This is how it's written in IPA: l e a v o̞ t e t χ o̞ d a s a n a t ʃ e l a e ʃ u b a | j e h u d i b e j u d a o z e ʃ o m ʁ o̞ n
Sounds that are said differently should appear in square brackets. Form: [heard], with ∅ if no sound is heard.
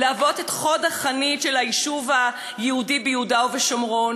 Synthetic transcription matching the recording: l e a v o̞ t e t χ o̞ d a [χ] a n [i] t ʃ e l a [i] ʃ u [v] a | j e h u d i b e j u d a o [v] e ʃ o m ʁ o̞ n